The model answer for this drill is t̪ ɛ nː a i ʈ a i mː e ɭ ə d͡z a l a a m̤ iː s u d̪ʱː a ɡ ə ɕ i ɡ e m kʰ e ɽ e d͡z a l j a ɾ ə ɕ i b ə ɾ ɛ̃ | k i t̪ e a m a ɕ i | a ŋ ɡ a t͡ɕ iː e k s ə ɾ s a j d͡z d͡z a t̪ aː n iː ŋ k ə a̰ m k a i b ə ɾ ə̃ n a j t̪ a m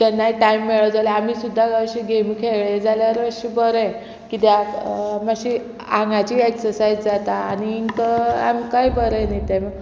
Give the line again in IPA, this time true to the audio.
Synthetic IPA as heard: t̪ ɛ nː a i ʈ a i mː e ɭ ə d͡z a l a a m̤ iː s u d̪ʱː a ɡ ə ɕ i ɡ e m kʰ e ɭ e d͡z a l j a ɾ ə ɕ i b ə ɾ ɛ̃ | k i t̪ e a m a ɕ i | a ŋ ɡ a t͡ɕ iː e k s ə ɾ s a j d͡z d͡z a t̪ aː n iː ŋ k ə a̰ m k a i b ə ɾ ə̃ n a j t̪ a m